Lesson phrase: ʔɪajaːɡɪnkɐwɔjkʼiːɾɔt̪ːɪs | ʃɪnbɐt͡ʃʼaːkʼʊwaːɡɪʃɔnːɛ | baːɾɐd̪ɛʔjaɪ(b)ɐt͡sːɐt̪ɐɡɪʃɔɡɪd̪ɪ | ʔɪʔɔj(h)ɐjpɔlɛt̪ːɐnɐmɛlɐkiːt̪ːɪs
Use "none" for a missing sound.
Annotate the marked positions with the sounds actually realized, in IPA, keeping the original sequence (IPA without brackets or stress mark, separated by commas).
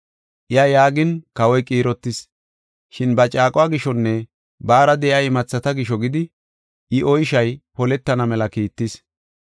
m, ʃ